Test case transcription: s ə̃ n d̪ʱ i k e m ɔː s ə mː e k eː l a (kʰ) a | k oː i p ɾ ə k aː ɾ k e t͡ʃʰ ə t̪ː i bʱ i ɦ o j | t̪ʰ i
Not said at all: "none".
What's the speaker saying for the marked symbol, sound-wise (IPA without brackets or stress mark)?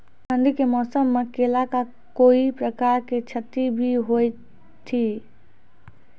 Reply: k